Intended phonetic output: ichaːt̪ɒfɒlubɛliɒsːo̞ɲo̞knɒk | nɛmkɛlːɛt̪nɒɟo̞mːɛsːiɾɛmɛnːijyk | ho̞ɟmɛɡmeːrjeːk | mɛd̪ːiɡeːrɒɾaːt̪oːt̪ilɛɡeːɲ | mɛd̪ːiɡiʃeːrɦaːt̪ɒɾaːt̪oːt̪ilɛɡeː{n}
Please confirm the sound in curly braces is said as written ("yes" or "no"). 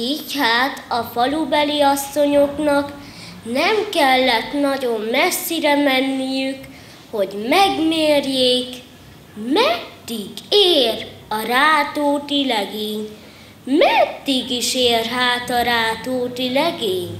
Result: no